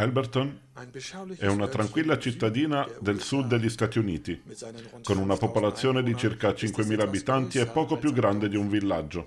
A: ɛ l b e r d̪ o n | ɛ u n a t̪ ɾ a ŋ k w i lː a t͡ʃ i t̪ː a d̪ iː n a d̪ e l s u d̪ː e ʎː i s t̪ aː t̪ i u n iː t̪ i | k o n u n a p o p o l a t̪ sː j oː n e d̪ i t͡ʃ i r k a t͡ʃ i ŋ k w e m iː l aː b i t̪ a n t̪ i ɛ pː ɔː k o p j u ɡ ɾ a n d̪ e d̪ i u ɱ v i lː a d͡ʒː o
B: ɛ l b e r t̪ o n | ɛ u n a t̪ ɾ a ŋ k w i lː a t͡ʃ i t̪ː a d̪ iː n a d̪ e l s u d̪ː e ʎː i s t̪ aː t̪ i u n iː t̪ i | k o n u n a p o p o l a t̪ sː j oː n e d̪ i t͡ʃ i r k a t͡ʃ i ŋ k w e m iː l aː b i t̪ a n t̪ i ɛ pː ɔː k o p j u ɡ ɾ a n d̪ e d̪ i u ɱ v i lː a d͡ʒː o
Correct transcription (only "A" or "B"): B